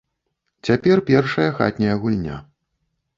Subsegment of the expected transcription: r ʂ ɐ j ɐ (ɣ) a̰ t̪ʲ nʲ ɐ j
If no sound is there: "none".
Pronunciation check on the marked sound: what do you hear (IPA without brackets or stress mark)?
x